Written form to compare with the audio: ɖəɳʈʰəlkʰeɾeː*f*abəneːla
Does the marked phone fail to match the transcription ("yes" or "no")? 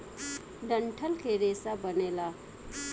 yes